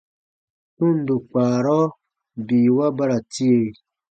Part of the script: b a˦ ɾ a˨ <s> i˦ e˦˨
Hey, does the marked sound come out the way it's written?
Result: no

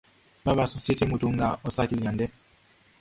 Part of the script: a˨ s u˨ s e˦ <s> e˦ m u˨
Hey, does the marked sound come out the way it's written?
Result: yes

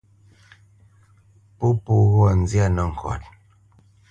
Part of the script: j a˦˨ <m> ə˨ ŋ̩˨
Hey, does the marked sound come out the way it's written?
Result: no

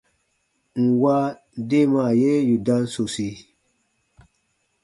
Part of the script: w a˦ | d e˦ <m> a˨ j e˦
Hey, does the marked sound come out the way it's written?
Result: yes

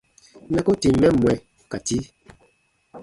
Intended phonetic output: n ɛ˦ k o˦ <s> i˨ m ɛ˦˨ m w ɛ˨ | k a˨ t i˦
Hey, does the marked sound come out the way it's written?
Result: no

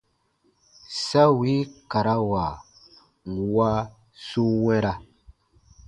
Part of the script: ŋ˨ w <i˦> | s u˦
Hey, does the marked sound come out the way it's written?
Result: no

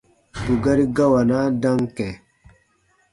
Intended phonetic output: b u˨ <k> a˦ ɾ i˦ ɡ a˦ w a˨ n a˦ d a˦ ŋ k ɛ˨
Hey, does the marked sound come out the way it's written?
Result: no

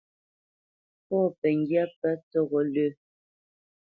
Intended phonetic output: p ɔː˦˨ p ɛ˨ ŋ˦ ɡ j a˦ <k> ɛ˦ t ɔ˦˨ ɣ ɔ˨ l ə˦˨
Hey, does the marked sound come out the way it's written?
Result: no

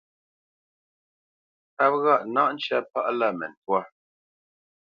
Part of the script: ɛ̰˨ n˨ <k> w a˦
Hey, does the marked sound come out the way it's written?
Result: no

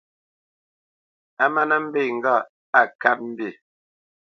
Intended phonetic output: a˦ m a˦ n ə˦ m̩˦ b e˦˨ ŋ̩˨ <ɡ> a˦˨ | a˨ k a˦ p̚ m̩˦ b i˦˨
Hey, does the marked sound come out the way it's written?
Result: yes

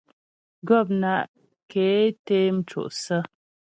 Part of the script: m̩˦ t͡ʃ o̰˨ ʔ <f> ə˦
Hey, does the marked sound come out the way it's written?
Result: no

